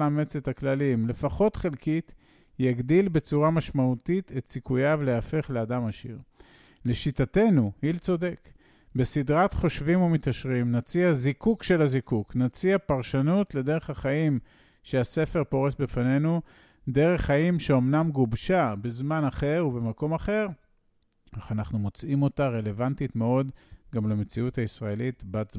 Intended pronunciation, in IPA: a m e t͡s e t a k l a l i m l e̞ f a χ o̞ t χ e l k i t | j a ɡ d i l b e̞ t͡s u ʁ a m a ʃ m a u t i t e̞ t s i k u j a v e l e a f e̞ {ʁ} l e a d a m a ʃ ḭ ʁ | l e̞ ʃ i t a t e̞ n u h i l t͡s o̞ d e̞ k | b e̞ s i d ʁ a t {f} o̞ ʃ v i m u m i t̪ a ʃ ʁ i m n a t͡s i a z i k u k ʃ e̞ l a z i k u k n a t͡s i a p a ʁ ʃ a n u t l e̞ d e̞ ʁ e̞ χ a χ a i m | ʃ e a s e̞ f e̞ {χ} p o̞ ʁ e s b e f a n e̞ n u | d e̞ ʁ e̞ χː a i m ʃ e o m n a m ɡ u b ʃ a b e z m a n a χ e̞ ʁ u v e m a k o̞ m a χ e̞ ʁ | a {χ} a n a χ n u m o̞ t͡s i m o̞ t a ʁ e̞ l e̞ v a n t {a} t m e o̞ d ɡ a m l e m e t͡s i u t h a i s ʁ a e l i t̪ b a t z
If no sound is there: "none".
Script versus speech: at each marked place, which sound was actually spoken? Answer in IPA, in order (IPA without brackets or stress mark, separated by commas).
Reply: χ, χ, ʁ, χ, i